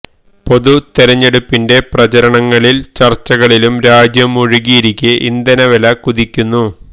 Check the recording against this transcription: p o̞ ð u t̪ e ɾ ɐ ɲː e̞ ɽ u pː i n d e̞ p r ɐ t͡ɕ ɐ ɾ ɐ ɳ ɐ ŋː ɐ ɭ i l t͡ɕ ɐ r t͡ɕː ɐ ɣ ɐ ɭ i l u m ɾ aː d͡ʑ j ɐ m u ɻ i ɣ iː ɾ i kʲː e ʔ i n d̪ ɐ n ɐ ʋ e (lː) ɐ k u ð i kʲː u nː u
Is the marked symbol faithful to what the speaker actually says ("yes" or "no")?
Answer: no